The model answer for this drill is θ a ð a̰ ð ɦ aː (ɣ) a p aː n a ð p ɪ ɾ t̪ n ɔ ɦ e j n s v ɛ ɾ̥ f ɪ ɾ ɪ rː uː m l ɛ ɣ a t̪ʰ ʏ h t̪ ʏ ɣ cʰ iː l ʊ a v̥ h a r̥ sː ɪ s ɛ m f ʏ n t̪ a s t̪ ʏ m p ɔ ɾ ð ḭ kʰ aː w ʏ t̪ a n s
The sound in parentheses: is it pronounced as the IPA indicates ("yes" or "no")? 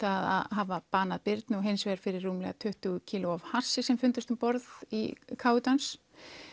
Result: no